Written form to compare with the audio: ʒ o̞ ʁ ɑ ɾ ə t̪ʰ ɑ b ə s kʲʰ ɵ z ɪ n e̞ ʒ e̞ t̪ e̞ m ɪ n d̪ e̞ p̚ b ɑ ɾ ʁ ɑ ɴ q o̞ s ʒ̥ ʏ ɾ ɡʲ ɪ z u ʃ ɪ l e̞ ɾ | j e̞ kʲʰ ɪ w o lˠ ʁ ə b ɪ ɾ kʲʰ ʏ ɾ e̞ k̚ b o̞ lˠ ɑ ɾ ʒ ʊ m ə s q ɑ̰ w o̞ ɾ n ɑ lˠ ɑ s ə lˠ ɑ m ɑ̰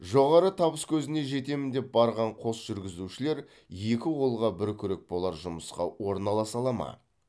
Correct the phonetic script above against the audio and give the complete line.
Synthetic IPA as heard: ʒ o̞ ʁ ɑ ɾ ə t̪ʰ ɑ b ə s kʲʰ ɵ z ɪ n e̞ ʒ e̞ t̪ e̞ m ɪ n d̪ e̞ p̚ b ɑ ɾ ʁ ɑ ɴ qʰ o̞ s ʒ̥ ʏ ɾ ɡʲ ɪ z u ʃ ɪ l e̞ ɾ | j e̞ kʲ ɪ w o lˠ ʁ ɑ b ɪ ɾ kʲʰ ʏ ɾ e̞ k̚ b o̞ lˠ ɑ ɾ ʒ ʊ m ə s q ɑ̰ w o̞ ɾ n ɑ lˠ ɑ s ɑ lˠ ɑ m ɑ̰

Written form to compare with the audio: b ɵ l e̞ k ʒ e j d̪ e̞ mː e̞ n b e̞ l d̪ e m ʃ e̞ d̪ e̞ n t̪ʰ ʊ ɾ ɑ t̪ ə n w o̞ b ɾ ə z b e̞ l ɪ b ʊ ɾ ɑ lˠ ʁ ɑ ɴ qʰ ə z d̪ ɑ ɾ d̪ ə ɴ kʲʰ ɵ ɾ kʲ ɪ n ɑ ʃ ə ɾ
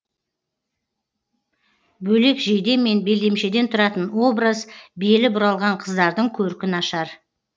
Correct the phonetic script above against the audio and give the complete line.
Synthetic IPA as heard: b ɵ l e̞ k ʒ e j d̪ e̞ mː e̞ n b e̞ l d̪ e m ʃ e̞ d̪ e̞ n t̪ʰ ʊ ɾ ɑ t̪ ə n w o̞ b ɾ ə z b e̞ l ɪ b ʊ ɾ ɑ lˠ ʁ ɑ ɴ qʰ ə z d̪ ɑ ɾ d̪ ə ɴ kʲʰ ɵ ɾ kʲ ɪ n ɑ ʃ ɑ ɾ

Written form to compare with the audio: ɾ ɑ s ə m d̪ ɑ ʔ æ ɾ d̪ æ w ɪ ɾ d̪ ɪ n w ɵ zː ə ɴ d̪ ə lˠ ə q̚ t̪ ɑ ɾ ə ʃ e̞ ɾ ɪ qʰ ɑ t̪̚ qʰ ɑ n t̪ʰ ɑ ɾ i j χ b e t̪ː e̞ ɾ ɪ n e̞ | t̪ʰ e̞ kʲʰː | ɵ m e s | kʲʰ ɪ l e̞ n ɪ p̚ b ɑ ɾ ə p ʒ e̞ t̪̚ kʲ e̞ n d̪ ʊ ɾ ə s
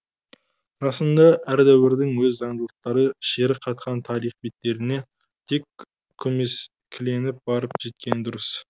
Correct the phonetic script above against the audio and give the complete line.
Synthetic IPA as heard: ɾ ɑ s ə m d̪ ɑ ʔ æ ɾ d̪ æ w ɪ ɾ d̪ ɪ ŋ w ɵ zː ɑ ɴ d̪ ə lˠ ə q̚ t̪ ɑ ɾ ə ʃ e̞ ɾ ɪ qʰ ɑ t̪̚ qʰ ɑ n t̪ʰ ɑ ɾ i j χ b e t̪ː e̞ ɾ ɪ n e̞ | t̪ʰ e̞ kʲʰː | ɵ m e s | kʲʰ ɪ l e̞ n ɪ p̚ b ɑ ɾ ə p ʒ e̞ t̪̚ kʲ e̞ n d̪ ʊ ɾ ə s

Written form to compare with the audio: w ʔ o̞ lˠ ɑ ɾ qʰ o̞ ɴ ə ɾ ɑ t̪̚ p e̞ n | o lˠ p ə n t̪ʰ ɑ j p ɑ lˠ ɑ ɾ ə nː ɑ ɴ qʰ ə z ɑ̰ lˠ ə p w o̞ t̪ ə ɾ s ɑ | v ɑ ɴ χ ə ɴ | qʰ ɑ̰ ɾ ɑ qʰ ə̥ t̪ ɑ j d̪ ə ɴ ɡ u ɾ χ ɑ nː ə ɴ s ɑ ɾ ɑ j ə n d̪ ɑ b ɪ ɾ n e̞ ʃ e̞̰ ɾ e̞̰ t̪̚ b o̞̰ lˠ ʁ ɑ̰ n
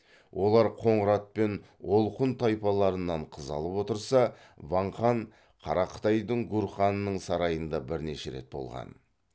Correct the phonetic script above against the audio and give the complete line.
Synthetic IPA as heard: w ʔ o̞ lˠ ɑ ɾ qʰ o̞ ɴ ə ɾ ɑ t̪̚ p e̞ n | o lˠ q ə n t̪ʰ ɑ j p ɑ lˠ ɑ ɾ ə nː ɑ ɴ qʰ ə z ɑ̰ lˠ ə p w o̞ t̪ ə ɾ s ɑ | v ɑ ɴ χ ɑ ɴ | qʰ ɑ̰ ɾ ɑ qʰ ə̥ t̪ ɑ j d̪ ə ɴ ɡ u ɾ χ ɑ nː ə ɴ s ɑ ɾ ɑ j ə n d̪ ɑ b ɪ ɾ n e̞ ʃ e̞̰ ɾ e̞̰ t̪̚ b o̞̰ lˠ ʁ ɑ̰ n

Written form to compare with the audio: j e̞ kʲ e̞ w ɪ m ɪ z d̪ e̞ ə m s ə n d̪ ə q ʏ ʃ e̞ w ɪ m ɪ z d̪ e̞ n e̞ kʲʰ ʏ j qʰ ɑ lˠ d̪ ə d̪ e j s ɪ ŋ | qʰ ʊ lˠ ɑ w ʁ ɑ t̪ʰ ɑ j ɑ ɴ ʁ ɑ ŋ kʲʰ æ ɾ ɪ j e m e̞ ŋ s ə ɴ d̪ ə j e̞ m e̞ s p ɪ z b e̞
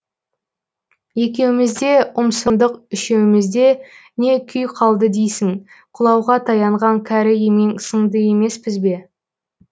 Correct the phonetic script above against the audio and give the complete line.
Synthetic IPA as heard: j e̞ kʲ e̞ w ɪ m ɪ z d̪ e̞ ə m s ə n d̪ ə q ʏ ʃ e̞ w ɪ m ɪ z d̪ e̞ n e̞ kʲʰ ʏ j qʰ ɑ lˠ d̪ ə d̪ e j s ɪ ŋ | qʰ ʊ lˠ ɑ w ʁ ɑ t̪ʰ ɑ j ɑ ɴ ʁ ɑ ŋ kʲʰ æ ɾ ɪ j e m e̞ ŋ s ə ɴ d̪ ə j e̞ m e̞ s p ɪ z b e̞

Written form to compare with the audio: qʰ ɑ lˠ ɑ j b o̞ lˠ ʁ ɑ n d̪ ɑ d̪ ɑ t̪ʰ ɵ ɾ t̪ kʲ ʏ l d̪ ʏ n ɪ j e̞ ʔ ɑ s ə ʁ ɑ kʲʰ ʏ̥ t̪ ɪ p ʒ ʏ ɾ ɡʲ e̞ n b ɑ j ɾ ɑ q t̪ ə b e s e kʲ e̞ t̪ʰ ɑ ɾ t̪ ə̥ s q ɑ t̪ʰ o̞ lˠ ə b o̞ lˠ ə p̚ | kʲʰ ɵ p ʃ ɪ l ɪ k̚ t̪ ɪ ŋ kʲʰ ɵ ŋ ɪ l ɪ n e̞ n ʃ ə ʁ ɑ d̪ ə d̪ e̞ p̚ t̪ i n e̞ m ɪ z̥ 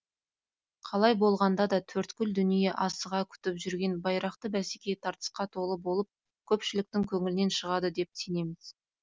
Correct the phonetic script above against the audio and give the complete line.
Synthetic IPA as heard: qʰ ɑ lˠ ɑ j b o̞ lˠ ʁ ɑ n d̪ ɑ d̪ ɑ t̪ʰ ɵ ɾ t̪ kʲ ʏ l d̪ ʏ n i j e̞ ʔ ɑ s ə ʁ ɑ kʲʰ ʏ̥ t̪ ɪ p ʒ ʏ ɾ ɡʲ e̞ n b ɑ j ɾ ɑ q t̪ ə b æ s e kʲ e̞ t̪ʰ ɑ ɾ t̪ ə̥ s q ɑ t̪ʰ o̞ lˠ ə b o̞ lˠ ə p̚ | kʲʰ ɵ p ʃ ɪ l ɪ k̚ t̪ ɪ ŋ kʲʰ ɵ ŋ ɪ l ɪ n e̞ n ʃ ə ʁ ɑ d̪ ə d̪ e̞ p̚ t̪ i n e̞ m ɪ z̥

